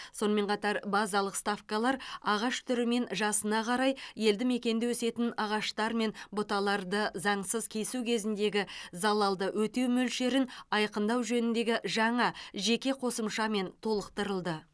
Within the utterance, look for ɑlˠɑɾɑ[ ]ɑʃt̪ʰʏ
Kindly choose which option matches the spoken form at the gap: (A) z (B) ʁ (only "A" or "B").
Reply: B